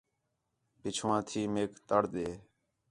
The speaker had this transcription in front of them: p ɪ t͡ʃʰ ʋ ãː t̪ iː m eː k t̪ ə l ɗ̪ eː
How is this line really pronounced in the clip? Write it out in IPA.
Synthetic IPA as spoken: p ɪ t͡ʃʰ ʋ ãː t̪ʰ iː m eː k t̪ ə ɽ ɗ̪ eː